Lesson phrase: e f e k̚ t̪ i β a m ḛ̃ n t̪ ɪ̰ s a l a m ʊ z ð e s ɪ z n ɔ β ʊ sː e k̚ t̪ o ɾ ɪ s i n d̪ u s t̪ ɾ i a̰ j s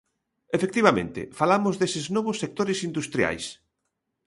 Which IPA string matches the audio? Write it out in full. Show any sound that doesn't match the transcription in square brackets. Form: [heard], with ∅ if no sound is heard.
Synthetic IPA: e f e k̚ t̪ i β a m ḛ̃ n t̪ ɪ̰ [f] a l a m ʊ z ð e s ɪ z n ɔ β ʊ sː e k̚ t̪ o ɾ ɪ s i n d̪ u s t̪ ɾ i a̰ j s